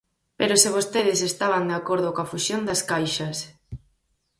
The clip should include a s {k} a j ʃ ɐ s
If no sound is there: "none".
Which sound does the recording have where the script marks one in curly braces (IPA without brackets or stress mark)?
k